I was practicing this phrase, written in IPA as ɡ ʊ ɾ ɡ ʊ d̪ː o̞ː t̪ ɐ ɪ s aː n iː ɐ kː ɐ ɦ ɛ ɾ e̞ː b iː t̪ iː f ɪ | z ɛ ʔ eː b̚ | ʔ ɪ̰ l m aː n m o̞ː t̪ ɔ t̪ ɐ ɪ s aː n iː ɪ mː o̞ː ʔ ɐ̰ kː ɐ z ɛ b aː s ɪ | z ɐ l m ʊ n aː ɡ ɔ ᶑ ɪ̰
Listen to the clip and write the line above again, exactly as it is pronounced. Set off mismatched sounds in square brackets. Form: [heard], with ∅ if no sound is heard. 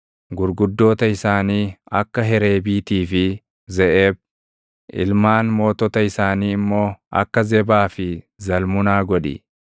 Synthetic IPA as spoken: ɡ ʊ ɾ ɡ ʊ d̪ː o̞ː t̪ ɐ ɪ s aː n iː ɐ kː ɐ ɦ ɛ ɾ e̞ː b iː t̪ iː f ɪ | z ɛ ʔ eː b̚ | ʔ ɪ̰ l m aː n m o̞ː t̪ ɔ t̪ ɐ ɪ s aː n iː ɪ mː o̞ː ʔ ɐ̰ kː ɐ z ɛ b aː [f] ɪ | z ɐ l m ʊ n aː ɡ ɔ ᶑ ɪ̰